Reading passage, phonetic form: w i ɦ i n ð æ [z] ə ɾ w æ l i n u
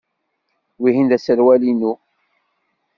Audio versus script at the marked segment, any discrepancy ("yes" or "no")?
yes